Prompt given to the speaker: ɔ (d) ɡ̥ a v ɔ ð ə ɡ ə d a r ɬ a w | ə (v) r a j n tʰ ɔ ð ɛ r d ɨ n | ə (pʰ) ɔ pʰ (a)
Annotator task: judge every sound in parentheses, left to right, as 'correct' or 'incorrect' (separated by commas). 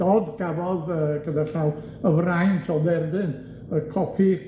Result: correct, correct, incorrect, incorrect